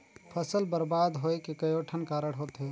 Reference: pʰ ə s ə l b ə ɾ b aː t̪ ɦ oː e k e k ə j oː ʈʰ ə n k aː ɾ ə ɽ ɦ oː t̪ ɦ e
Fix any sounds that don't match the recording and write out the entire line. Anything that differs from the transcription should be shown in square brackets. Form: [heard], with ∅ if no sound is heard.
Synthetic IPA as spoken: pʰ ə s ə l b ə ɾ b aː [d̪] ɦ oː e k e k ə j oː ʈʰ ə n k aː ɾ ə ɽ ɦ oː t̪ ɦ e